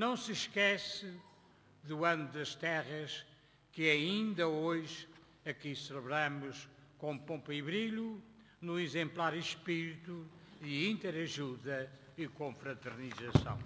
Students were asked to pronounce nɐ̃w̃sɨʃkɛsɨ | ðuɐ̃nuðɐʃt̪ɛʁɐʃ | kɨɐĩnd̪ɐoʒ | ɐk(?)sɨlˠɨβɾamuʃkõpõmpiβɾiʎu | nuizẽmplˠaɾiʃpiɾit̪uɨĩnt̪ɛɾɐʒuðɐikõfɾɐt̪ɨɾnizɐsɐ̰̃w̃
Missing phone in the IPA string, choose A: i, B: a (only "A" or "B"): A